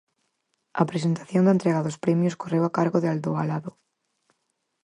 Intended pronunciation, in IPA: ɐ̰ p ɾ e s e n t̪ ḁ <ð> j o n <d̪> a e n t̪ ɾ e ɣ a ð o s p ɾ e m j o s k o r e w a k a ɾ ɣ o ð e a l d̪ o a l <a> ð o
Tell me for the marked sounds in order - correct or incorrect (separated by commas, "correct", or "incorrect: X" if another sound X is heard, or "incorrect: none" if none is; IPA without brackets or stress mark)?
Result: incorrect: θ, correct, correct